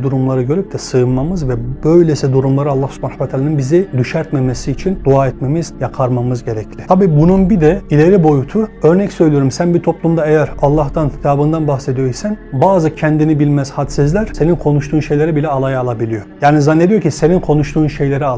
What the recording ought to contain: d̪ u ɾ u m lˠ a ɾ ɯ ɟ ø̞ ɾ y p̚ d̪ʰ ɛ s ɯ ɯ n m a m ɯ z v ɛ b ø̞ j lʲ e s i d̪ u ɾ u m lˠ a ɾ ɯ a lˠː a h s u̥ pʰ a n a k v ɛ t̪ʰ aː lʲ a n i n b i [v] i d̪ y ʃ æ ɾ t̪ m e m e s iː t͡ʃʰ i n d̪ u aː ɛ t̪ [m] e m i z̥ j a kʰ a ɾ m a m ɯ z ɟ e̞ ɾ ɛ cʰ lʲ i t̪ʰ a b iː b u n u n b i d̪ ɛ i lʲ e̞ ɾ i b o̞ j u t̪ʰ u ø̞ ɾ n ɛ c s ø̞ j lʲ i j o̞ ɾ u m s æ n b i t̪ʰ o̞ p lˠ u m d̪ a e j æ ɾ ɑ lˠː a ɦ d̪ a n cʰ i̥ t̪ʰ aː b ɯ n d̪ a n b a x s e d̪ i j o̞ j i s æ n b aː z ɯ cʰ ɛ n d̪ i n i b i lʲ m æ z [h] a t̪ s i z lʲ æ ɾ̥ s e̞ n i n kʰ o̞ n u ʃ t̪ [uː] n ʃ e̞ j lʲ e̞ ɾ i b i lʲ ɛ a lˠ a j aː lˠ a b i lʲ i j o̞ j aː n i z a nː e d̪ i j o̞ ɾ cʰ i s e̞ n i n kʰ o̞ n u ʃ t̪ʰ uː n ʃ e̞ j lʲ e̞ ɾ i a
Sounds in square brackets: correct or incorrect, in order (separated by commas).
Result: incorrect, correct, correct, correct